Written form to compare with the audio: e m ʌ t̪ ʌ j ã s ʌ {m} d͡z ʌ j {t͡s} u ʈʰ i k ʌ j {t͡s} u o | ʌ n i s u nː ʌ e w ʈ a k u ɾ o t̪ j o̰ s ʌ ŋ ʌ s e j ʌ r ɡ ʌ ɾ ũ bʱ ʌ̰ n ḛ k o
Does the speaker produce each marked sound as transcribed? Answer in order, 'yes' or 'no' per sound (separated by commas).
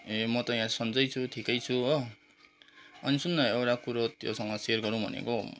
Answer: no, no, no